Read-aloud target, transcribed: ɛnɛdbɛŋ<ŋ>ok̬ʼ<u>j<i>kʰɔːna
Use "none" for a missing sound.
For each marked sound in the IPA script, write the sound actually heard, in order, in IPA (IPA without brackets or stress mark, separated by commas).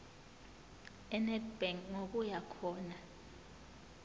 ŋ, u, a